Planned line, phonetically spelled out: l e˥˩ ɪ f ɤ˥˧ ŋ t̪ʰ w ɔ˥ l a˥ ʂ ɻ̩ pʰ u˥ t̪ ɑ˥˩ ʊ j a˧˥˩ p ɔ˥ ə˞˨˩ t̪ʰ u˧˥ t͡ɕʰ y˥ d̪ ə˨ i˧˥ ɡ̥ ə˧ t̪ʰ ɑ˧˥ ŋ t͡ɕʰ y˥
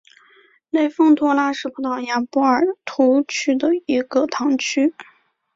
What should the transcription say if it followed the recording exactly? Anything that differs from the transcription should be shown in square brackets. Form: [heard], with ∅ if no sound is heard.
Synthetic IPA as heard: l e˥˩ ɪ f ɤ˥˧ ŋ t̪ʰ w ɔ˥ l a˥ ʂ ɻ̩ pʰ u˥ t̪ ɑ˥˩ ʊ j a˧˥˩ p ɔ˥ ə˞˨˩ t̪ʰ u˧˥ t͡ɕʰ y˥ d̪ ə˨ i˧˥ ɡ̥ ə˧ t̪ʰ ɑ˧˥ ŋ t͡ɕʰ y˥